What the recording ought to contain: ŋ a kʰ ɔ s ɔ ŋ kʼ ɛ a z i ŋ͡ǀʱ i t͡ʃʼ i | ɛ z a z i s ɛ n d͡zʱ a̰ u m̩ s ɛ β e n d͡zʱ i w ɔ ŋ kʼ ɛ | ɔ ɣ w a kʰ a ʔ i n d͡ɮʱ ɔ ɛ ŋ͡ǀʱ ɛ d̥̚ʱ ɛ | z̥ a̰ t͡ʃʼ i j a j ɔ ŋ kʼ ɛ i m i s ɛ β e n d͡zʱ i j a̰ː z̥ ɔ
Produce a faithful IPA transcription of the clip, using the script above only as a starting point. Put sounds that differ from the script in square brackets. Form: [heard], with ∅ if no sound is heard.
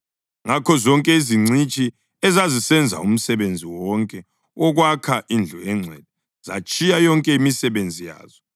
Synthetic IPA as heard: ŋ a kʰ ɔ [z] ɔ ŋ kʼ ɛ [i] z i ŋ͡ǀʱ i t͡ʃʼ i | ɛ z a z i s ɛ n d͡zʱ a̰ u m̩ s ɛ β e n d͡zʱ i w ɔ ŋ kʼ ɛ | ɔ ɣ w a kʰ a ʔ i n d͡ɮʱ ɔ ɛ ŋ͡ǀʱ ɛ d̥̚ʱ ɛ | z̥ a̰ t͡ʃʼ i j a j ɔ ŋ kʼ ɛ i m i s ɛ β e n d͡zʱ i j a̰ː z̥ ɔ